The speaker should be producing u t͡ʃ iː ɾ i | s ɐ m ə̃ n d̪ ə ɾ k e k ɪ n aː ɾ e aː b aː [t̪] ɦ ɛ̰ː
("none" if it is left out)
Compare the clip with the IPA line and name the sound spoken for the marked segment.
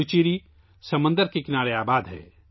d̪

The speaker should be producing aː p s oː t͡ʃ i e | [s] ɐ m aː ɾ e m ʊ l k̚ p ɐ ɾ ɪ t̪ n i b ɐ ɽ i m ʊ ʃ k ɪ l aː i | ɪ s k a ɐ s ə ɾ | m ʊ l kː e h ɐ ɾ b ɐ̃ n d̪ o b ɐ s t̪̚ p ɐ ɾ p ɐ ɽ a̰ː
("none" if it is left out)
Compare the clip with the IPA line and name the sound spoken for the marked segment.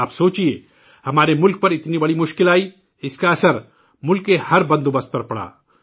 h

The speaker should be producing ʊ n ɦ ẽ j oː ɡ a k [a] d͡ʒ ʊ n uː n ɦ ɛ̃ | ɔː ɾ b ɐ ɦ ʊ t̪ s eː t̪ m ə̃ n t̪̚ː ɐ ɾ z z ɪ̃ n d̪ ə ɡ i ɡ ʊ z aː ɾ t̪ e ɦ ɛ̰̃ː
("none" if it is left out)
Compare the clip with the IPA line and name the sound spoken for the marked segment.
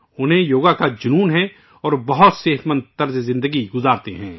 a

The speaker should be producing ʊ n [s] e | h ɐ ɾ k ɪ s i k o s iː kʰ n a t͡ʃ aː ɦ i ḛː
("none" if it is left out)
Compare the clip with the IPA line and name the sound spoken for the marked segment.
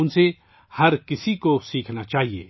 s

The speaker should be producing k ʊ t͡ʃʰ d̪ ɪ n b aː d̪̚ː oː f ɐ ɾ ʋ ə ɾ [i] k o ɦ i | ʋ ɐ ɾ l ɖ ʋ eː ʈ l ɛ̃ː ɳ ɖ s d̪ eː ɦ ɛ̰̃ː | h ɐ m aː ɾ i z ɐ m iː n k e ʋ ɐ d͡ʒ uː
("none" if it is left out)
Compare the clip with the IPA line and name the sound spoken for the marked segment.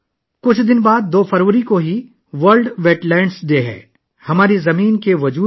i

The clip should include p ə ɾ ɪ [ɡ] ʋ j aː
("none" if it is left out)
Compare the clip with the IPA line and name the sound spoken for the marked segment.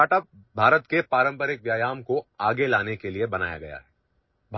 k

